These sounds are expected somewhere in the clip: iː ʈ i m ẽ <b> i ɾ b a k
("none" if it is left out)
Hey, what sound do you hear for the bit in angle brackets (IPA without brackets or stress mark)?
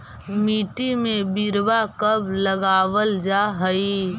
b